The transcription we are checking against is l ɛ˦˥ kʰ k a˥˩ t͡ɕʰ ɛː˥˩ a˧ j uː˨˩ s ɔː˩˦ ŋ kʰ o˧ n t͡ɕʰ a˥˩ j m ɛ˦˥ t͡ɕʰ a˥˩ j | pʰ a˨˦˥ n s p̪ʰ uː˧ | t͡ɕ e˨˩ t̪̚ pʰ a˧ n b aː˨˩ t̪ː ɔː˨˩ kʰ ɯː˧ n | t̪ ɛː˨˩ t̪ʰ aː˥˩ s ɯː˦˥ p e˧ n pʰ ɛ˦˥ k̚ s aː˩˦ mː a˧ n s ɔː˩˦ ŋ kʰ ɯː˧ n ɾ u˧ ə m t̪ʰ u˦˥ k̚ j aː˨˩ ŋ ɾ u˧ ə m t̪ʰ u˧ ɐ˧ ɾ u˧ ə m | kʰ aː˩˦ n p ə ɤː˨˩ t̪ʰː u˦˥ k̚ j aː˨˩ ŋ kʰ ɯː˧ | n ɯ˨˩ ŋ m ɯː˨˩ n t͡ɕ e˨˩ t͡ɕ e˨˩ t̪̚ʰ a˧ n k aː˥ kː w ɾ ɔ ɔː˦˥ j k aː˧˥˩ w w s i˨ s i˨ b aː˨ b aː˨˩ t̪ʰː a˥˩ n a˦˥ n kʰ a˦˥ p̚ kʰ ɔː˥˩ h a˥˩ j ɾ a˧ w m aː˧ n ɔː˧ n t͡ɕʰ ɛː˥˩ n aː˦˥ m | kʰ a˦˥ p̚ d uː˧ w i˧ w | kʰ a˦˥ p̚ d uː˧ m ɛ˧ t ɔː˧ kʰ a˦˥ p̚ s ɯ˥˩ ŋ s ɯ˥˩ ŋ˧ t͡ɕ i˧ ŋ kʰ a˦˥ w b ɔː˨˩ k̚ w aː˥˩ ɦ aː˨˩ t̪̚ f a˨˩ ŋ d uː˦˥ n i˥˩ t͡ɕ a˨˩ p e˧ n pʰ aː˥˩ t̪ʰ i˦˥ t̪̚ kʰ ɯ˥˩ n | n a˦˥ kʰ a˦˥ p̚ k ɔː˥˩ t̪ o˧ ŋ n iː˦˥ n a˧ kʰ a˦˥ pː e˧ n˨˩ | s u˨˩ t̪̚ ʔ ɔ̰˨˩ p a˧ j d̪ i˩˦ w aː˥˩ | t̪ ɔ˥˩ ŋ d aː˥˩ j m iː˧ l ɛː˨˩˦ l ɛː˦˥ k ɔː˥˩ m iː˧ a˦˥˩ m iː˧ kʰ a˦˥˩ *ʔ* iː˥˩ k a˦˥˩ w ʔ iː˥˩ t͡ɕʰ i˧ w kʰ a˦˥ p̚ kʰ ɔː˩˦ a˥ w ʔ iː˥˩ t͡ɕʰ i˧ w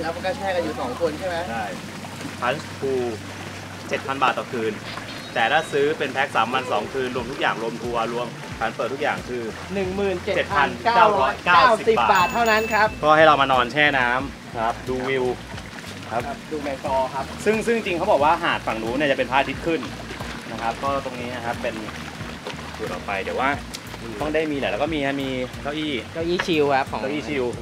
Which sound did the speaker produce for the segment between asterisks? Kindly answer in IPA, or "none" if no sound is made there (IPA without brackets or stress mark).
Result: ʔ